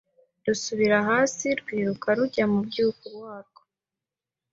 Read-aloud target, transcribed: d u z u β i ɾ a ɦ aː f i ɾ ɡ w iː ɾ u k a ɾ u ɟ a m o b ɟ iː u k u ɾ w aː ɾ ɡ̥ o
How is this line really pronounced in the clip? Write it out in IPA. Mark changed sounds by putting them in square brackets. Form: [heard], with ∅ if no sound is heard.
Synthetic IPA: d u [s] u β i ɾ a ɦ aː [s] i ɾ ɡ w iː ɾ u k a ɾ u ɟ a m [u] b ɟ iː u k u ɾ w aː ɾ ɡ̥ o